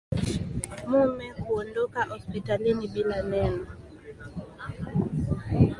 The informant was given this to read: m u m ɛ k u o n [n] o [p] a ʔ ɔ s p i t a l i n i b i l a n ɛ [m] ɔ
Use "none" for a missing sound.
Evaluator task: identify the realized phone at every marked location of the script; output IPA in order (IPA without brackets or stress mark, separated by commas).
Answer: d, k, n